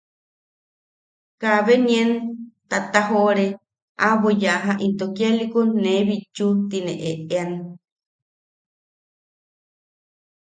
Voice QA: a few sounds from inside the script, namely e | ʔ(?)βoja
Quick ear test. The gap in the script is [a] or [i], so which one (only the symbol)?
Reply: a